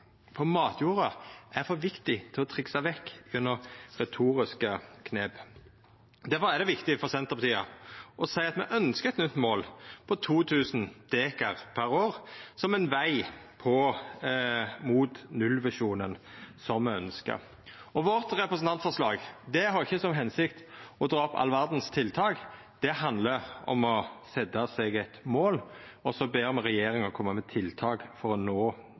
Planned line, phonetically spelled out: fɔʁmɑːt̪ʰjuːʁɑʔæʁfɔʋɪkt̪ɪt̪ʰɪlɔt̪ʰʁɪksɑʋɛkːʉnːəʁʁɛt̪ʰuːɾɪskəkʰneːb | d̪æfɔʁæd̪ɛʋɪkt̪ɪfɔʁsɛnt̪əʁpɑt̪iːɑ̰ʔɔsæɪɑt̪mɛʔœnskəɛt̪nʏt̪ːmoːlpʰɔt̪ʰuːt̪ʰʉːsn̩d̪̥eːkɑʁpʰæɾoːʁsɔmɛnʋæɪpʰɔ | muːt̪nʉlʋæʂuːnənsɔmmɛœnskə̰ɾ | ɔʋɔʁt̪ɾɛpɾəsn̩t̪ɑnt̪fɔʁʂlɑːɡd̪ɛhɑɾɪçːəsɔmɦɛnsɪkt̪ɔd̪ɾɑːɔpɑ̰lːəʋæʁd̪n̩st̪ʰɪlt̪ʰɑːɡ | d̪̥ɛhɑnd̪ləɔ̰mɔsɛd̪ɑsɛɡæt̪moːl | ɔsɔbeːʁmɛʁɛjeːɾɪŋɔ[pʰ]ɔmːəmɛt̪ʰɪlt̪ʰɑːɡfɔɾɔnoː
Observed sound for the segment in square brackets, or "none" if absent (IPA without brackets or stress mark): kʰ